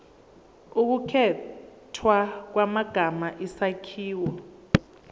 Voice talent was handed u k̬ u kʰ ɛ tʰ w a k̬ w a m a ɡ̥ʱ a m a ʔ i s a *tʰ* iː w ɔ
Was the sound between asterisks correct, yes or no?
no